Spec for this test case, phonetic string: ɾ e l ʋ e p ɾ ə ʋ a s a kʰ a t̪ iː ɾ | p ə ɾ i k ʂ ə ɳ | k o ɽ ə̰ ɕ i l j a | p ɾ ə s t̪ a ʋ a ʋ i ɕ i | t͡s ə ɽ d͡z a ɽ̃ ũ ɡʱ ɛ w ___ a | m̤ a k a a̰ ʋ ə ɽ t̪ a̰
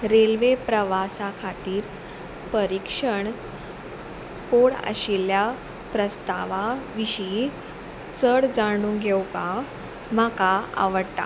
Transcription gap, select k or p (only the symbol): k